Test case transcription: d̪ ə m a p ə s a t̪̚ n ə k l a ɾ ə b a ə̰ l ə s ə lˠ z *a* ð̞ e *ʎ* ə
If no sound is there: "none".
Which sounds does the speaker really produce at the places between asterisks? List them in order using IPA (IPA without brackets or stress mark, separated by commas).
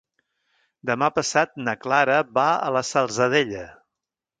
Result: ə, ʎ